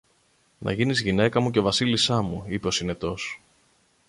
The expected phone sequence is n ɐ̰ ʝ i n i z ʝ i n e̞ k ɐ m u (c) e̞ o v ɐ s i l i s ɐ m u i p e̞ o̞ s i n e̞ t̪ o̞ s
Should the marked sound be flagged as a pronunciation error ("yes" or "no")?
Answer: no